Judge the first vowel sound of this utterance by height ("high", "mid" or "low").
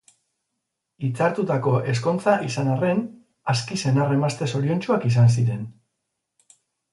high